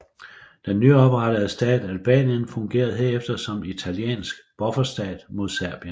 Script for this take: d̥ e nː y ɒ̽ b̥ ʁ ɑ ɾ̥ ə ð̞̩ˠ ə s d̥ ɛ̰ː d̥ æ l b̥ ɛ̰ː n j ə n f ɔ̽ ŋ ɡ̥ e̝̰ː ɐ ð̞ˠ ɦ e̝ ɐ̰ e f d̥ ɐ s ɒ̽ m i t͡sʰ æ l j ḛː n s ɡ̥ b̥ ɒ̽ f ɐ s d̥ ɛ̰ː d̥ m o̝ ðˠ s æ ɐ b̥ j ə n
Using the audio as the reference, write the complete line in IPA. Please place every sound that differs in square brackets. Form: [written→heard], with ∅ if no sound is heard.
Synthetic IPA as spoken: d̥ e nː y ɒ̽ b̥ ʁ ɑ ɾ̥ ə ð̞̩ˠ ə s d̥ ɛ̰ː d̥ æ l b̥ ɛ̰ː n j ə n f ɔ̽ ŋ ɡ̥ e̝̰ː ɐ ð̞ˠ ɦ e̝ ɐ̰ e f d̥ ɐ s ɒ̽ m i t͡sʰ æ l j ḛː n s ɡ̥ b̥ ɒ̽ f ɐ s d̥ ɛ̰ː d̥ m o̝ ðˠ s æ ɐ b̥ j ə n